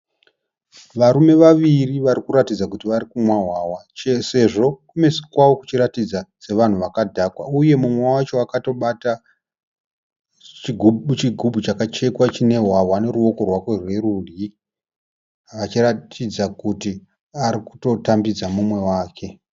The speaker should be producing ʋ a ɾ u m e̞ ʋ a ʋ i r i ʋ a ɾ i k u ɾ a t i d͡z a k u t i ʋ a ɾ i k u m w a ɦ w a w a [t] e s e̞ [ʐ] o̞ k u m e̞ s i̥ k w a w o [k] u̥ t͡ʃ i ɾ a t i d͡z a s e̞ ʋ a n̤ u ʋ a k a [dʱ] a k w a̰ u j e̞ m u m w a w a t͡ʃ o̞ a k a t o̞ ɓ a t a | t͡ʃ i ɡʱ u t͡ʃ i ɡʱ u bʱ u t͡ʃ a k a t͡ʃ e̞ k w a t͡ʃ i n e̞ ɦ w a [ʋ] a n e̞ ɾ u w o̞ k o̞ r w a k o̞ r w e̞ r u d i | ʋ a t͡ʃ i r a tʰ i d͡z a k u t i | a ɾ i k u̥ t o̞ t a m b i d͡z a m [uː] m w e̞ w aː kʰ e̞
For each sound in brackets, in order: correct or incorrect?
incorrect: t͡ʃ, correct, correct, correct, incorrect: w, incorrect: u

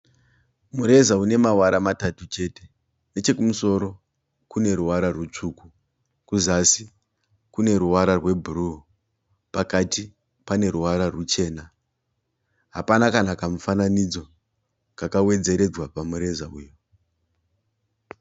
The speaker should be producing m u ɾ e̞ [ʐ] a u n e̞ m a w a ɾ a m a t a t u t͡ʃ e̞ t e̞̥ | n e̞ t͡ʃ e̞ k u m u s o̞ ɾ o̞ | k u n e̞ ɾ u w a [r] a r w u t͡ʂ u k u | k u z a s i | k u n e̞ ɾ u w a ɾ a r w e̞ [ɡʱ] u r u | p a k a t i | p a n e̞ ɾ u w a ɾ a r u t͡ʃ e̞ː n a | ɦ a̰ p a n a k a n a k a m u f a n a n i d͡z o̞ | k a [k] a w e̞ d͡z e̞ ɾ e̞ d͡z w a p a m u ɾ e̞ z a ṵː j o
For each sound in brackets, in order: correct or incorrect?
incorrect: z, incorrect: ɾ, incorrect: bʱ, correct

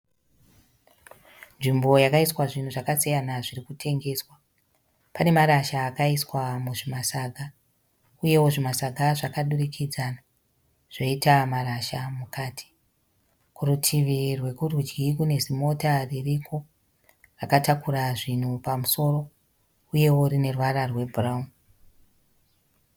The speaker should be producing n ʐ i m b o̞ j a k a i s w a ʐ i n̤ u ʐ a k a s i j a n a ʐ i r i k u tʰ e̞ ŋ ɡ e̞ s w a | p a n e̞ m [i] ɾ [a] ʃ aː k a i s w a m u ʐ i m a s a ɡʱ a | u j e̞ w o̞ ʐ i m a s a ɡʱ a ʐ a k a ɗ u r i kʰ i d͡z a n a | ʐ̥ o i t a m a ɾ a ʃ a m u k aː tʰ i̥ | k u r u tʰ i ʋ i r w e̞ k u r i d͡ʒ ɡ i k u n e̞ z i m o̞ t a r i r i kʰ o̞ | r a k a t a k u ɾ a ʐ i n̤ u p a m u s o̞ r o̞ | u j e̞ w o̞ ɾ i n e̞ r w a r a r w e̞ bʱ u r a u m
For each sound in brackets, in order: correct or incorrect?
incorrect: a, correct

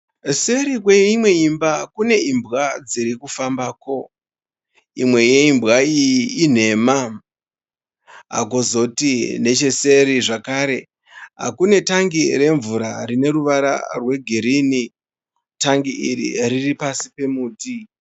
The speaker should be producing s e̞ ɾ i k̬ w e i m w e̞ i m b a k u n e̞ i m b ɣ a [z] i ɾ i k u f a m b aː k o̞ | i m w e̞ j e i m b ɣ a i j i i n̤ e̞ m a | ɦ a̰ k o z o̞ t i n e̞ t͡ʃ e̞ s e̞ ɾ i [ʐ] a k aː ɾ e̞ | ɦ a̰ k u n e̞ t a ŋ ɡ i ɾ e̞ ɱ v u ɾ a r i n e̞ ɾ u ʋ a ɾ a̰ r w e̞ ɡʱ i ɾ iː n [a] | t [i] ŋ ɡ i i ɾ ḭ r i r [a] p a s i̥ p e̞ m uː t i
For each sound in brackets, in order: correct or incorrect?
incorrect: d͡z, correct, incorrect: i, incorrect: a, incorrect: i

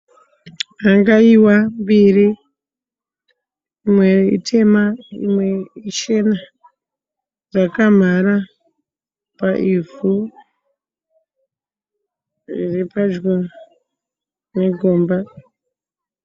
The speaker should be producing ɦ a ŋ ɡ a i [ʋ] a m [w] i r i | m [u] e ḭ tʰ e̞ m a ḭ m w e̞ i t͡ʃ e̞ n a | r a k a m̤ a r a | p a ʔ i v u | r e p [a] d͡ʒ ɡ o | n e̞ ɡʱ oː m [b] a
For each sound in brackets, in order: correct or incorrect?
incorrect: w, incorrect: b, incorrect: w, correct, correct

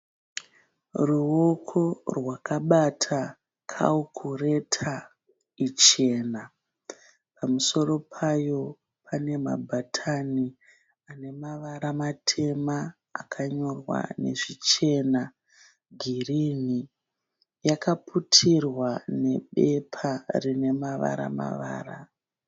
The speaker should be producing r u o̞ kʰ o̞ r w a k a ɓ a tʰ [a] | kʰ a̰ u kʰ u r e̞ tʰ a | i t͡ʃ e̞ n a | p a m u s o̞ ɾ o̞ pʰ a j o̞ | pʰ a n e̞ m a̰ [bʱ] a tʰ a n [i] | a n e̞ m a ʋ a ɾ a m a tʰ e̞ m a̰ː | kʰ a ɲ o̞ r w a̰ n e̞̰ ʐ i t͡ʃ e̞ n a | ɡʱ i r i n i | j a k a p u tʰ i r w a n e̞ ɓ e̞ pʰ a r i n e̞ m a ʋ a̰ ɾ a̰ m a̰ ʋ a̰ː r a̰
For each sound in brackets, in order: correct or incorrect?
correct, correct, correct

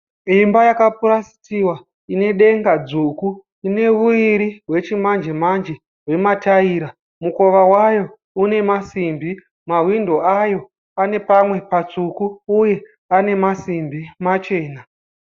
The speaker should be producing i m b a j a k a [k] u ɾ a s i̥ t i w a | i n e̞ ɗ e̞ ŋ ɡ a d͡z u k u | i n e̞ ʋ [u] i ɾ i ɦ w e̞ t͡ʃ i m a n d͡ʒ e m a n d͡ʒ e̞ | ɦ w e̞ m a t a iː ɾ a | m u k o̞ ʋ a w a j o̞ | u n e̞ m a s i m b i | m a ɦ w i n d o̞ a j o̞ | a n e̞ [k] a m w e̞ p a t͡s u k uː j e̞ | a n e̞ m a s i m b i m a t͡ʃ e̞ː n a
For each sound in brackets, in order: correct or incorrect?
incorrect: p, correct, incorrect: p

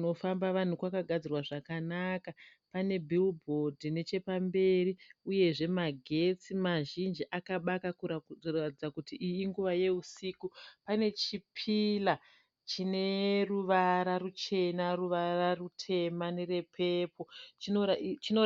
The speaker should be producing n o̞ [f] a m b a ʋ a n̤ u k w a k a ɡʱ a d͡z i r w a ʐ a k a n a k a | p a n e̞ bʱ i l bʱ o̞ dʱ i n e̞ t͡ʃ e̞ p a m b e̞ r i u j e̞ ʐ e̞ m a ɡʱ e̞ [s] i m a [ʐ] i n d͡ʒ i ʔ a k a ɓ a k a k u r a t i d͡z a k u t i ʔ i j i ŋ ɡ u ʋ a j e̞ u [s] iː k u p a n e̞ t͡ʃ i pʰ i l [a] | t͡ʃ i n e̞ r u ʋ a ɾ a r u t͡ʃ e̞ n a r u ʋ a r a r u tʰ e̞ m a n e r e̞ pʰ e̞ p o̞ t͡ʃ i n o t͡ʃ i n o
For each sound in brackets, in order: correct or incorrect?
correct, incorrect: t͡s, incorrect: ʒ, correct, correct

